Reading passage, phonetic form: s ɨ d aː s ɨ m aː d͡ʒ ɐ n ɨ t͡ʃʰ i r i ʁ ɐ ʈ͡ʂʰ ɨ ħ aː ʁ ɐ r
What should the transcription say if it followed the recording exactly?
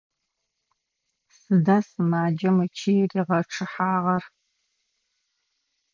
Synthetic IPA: s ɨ d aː s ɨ m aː d͡ʒ ɐ m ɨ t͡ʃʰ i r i ʁ ɐ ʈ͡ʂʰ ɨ ħ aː ʁ ɐ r